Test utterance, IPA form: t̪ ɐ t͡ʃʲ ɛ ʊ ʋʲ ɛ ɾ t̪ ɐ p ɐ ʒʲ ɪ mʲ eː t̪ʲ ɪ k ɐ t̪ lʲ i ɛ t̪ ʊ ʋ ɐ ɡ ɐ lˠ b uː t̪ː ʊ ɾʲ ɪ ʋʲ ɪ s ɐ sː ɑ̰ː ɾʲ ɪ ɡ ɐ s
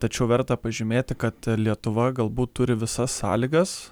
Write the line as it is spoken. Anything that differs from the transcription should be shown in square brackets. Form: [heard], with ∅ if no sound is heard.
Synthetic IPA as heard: t̪ ɐ t͡ʃʲ ɛ ʊ ʋʲ ɛ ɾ t̪ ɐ p ɐ ʒʲ ɪ mʲ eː t̪ʲ ɪ k ɐ t̪ lʲ i ɛ t̪ ʊ ʋ ɐ ɡ ɐ lˠ b uː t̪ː ʊ ɾʲ ɪ ʋʲ ɪ s ɐ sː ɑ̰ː [lʲ] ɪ ɡ ɐ s